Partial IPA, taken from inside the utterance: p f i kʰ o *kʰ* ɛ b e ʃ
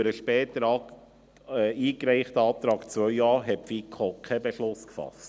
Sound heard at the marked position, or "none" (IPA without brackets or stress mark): kʰ